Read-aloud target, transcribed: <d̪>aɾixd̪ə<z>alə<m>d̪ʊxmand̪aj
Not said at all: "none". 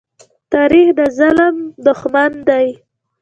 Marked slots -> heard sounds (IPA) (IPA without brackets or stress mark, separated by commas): t̪, z, m